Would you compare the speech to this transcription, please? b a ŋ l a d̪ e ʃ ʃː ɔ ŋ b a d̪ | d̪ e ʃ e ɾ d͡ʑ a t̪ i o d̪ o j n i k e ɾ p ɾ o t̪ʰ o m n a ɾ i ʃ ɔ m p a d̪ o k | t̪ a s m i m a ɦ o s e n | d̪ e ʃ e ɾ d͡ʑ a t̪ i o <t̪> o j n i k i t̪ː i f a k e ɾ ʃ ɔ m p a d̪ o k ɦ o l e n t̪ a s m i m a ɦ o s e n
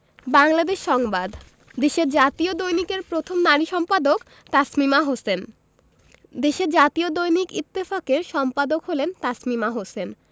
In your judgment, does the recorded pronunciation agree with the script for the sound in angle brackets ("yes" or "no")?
no